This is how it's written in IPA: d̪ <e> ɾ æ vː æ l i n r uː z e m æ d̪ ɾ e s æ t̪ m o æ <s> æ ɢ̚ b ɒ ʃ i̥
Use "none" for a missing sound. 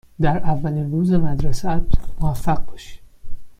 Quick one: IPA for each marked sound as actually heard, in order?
æ, f

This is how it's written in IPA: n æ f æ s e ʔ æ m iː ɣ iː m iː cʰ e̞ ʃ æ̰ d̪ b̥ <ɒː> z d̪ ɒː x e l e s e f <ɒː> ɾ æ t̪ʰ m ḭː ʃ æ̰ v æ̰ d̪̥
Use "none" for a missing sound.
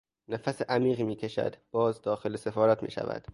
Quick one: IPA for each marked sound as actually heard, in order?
ɒː, ɒː

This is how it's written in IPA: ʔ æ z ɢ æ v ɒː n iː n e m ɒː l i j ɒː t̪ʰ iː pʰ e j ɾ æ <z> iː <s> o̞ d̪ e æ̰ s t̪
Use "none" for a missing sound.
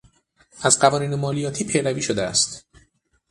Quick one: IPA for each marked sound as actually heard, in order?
v, ʃ

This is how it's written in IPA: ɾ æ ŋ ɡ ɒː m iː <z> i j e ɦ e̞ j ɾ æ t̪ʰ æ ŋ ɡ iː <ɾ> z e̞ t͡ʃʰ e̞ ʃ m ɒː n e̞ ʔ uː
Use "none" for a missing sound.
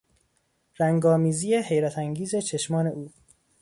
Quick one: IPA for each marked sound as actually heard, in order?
z, none

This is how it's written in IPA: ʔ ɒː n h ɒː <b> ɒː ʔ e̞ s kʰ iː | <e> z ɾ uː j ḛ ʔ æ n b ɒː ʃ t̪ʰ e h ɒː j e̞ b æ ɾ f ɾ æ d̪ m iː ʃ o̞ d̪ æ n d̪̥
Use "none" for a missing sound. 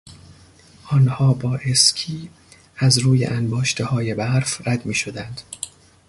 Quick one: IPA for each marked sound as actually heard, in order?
b, æ

